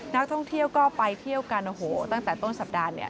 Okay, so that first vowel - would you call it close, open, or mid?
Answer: open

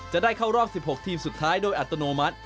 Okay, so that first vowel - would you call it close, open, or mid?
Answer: open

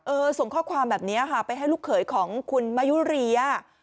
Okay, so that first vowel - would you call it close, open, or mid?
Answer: mid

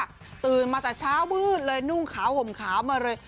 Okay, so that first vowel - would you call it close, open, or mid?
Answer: close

